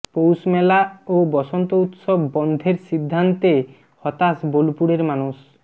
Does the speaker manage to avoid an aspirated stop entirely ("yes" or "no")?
yes